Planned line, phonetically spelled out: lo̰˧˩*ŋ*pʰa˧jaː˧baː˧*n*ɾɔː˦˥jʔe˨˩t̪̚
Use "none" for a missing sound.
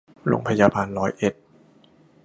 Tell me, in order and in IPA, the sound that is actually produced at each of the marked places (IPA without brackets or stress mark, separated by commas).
ŋ, n